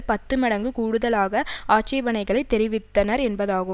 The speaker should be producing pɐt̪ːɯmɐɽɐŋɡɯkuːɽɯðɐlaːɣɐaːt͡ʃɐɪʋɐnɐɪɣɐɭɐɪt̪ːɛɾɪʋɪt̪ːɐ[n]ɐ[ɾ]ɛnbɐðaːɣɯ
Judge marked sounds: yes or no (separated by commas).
yes, yes